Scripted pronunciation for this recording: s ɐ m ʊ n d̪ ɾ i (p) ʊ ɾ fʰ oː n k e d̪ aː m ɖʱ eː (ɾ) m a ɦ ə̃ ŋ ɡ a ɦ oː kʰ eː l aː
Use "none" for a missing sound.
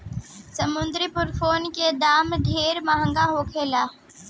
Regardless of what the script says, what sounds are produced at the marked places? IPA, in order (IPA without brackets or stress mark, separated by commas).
p, ɾ